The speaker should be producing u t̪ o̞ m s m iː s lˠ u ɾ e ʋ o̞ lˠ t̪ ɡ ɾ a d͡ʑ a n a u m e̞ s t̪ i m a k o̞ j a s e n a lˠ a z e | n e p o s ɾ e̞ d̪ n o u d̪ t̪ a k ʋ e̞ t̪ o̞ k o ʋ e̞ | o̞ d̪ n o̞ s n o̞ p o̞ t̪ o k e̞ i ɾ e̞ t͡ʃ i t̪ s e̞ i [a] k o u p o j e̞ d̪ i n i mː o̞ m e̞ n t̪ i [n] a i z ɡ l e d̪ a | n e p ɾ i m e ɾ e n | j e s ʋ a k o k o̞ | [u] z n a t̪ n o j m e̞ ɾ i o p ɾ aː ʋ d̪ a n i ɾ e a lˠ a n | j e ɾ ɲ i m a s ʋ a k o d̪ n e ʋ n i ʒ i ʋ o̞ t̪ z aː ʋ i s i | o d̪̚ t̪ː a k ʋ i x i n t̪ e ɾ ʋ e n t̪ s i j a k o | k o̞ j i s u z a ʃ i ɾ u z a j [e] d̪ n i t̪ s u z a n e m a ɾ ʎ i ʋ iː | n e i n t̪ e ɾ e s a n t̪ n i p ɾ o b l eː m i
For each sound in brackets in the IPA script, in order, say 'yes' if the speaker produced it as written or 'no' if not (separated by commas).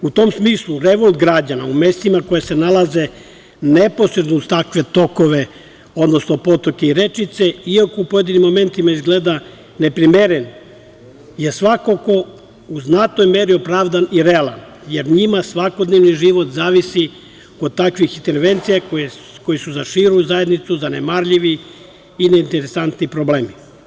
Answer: yes, no, yes, yes